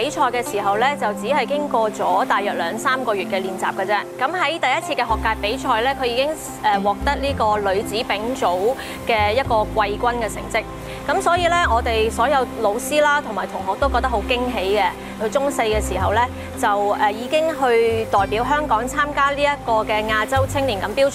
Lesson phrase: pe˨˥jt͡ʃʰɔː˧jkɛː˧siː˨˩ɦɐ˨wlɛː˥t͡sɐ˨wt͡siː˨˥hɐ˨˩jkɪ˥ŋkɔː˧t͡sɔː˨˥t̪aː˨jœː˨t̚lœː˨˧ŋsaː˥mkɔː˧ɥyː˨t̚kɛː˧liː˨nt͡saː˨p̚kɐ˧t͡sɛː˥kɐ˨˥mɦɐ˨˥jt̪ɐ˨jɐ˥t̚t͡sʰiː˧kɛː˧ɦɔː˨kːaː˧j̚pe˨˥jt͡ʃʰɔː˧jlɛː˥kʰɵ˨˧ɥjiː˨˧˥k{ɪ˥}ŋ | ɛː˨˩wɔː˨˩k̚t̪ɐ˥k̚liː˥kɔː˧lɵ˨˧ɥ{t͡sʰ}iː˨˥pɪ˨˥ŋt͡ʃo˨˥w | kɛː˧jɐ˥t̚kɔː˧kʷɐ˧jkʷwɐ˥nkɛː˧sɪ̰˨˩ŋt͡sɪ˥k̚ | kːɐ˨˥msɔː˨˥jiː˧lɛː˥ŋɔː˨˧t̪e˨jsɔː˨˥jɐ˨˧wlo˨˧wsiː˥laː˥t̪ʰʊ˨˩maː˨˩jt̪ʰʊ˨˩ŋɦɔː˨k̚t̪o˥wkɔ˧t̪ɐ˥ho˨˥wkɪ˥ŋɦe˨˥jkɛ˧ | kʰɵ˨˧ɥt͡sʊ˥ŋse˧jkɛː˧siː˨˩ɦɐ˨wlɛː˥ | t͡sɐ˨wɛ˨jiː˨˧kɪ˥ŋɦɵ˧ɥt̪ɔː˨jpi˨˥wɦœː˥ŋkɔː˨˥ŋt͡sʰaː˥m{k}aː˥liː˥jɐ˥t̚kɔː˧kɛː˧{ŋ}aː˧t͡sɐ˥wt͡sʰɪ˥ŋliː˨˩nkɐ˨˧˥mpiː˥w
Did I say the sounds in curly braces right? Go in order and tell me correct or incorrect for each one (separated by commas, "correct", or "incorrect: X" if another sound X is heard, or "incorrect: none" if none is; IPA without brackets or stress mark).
correct, incorrect: t͡s, correct, correct